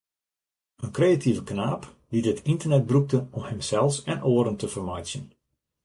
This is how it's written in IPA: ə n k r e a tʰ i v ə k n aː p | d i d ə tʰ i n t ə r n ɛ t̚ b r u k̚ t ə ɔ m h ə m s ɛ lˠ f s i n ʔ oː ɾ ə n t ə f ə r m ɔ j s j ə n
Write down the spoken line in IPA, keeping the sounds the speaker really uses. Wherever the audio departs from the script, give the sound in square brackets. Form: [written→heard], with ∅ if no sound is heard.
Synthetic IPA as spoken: ə n k r e a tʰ i v ə k n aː p | d i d ə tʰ i n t ə r n ɛ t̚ b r u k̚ t ə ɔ m h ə m s ɛ lˠ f s [i→ɛ] n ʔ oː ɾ ə n t ə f ə r m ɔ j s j ə n